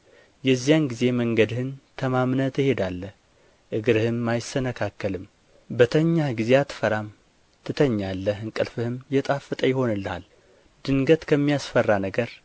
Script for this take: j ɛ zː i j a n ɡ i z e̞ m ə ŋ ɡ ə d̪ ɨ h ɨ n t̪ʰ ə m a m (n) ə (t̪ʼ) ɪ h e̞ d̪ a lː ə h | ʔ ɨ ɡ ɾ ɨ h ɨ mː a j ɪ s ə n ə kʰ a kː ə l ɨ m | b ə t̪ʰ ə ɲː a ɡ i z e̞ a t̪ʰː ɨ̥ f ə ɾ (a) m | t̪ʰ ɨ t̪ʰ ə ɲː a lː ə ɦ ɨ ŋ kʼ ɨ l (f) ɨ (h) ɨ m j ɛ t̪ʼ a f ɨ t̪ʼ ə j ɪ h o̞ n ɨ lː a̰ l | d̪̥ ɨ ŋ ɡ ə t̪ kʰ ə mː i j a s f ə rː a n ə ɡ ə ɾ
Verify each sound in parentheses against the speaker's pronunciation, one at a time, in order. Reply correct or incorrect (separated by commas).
correct, incorrect, correct, correct, correct